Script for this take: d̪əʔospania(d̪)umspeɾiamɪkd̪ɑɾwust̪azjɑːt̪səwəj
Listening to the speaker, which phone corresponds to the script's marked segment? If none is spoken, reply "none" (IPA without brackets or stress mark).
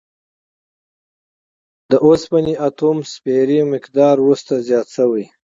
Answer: t̪